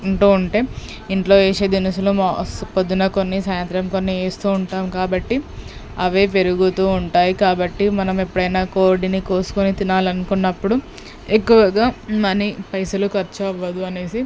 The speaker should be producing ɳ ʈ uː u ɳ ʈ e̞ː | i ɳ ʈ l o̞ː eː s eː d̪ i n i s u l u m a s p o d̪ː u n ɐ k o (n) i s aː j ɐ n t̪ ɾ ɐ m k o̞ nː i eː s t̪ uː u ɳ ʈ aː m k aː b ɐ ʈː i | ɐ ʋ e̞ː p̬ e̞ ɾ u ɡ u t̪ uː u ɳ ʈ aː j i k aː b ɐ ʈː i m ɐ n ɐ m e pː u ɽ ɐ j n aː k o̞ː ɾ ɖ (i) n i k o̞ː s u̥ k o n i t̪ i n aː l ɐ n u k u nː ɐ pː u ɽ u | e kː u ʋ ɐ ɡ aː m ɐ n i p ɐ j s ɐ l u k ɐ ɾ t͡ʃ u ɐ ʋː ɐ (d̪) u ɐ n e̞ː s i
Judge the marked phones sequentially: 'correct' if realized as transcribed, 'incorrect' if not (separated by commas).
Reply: incorrect, correct, correct